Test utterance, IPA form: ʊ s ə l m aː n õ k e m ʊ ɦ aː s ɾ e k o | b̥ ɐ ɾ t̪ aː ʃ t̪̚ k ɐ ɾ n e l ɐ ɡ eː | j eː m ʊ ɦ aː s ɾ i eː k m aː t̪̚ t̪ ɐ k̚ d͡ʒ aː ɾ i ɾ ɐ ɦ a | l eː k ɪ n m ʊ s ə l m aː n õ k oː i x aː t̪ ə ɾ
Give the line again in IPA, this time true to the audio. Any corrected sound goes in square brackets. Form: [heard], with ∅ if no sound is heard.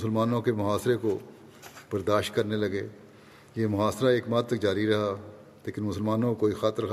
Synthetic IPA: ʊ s ə l m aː n õ k e m ʊ ɦ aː s ɾ e k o | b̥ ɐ ɾ [d̪] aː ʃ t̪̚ k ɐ ɾ n e l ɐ ɡ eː | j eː m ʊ ɦ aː s ɾ [a] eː k m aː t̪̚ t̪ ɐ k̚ d͡ʒ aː ɾ i ɾ ɐ ɦ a | l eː k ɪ n m ʊ s ə l m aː n õ k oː i x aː t̪ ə ɾ